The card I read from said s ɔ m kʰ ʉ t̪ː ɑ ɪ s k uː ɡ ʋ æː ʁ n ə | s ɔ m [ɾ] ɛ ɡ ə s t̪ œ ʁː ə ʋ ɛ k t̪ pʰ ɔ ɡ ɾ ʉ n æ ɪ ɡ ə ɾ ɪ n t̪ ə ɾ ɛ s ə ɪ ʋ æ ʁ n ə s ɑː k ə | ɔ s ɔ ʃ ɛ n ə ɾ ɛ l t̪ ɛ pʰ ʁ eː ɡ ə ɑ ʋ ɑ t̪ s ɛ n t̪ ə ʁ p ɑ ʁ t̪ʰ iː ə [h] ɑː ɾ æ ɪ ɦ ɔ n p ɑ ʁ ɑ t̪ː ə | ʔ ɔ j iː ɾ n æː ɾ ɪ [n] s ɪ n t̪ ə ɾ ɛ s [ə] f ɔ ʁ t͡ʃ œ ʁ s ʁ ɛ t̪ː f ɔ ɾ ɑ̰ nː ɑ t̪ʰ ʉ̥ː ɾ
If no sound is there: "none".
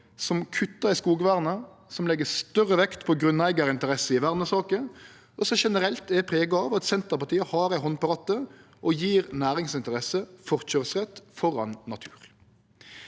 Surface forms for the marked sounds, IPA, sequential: l, h, ŋ, ə

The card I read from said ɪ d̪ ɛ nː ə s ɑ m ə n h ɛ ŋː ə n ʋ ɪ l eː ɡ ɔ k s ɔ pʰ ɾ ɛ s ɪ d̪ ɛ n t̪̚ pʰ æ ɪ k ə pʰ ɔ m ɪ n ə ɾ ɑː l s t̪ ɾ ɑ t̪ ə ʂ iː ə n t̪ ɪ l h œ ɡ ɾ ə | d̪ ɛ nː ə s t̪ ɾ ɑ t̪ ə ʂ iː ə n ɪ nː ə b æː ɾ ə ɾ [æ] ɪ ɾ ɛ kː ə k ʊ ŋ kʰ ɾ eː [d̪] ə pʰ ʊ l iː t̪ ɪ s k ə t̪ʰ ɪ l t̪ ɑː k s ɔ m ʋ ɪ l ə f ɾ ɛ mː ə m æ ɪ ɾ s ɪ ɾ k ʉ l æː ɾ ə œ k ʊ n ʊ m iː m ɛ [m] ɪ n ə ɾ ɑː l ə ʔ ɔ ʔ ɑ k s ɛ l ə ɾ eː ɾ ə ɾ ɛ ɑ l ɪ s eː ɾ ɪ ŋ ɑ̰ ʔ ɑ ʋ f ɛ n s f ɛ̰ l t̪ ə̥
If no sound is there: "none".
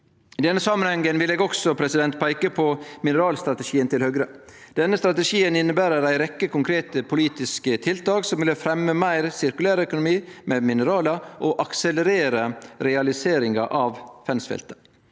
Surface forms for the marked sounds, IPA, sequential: æ, t̪, m

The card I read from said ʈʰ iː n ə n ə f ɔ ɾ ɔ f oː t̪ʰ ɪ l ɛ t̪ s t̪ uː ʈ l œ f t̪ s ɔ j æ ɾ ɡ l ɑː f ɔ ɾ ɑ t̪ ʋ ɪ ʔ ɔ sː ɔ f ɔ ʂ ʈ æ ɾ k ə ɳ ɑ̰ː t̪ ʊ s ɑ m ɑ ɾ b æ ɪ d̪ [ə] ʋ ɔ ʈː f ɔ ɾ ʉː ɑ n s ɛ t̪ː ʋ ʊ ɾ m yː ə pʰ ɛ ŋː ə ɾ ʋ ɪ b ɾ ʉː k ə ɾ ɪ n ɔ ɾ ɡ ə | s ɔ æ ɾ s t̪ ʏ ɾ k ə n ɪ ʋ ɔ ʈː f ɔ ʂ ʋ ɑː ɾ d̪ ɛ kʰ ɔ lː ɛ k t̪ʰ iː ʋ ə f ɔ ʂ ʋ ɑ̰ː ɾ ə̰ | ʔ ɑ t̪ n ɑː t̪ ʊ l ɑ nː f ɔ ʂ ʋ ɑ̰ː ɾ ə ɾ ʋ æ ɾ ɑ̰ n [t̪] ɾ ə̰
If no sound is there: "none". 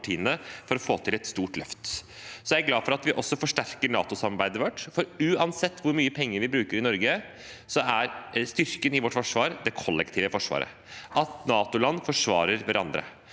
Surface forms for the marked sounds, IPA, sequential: ə, d̪

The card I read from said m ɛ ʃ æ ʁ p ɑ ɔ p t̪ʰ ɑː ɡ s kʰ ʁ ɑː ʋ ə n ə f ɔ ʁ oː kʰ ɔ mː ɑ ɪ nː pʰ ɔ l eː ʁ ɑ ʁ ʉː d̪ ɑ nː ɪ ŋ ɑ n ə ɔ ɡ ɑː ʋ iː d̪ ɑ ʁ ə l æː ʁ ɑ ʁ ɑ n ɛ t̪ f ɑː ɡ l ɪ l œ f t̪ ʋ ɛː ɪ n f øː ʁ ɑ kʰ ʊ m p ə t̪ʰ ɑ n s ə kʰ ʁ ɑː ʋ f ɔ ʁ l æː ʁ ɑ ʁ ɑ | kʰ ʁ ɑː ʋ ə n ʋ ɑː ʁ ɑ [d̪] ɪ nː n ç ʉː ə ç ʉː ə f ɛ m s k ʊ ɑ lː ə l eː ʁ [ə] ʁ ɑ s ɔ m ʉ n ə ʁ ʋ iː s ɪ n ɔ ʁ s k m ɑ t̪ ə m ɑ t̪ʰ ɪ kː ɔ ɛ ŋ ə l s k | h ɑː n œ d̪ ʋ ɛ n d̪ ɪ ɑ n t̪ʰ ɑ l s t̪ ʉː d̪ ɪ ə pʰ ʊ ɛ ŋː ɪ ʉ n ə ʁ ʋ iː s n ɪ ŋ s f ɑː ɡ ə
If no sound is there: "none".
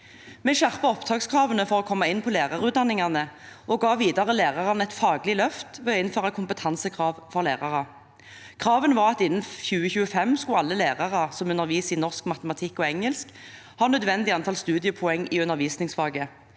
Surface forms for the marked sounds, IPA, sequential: t̪, ɑ

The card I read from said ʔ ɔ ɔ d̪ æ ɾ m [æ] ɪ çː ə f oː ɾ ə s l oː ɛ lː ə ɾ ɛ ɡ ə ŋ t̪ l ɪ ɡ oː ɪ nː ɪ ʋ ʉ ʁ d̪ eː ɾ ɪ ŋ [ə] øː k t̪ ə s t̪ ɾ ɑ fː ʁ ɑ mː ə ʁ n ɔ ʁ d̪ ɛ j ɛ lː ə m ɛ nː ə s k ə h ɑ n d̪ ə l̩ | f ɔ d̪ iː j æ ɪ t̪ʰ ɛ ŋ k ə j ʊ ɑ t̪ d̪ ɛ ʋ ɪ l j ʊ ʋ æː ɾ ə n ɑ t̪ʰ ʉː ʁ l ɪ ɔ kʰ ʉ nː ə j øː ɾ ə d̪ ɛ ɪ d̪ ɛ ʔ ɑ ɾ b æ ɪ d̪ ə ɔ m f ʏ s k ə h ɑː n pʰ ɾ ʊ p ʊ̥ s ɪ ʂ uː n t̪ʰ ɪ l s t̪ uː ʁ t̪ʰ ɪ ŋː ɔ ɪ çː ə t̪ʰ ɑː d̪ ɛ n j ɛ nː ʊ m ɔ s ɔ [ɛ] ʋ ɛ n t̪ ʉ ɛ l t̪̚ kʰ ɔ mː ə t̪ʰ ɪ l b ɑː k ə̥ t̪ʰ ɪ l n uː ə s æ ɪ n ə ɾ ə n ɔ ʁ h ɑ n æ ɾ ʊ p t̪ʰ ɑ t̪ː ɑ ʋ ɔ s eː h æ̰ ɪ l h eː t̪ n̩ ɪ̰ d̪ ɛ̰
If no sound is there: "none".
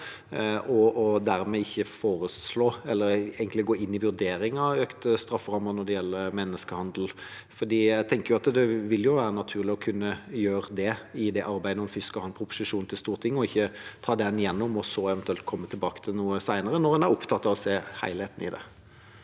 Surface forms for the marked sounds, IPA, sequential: ɛ, ɑ, ɛ

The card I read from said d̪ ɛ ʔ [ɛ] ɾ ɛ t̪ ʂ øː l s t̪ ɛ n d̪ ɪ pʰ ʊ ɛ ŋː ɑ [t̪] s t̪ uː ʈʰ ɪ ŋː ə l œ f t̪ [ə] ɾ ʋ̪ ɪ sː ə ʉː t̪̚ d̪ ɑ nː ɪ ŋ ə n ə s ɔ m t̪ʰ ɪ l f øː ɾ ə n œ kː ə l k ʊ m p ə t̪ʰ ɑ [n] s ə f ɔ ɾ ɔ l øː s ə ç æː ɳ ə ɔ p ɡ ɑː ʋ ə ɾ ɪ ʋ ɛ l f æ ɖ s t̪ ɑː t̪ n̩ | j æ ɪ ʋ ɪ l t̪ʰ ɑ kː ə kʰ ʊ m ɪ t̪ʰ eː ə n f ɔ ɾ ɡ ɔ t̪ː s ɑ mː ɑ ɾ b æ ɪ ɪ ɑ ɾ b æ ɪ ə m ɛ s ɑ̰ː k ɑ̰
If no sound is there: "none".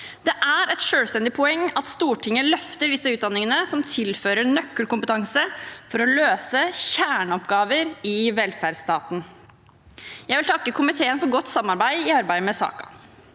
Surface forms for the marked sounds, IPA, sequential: æ, t̪, ə, ŋ

